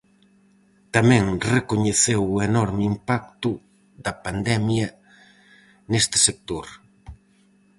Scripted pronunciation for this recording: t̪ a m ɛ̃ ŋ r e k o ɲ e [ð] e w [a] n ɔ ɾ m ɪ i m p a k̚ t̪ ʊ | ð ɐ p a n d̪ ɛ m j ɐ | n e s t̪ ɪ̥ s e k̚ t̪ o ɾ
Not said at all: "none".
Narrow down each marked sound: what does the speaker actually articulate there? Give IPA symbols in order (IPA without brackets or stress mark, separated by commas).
θ, e